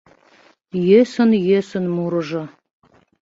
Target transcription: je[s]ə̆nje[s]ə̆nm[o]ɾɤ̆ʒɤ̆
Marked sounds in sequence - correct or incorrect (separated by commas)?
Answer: correct, correct, incorrect